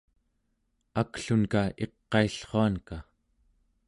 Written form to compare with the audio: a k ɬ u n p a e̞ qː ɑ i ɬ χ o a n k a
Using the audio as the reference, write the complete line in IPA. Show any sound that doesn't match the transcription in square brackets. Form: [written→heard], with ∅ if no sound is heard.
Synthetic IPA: a k ɬ u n [p→k] a e̞ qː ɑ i ɬ χ o a n k a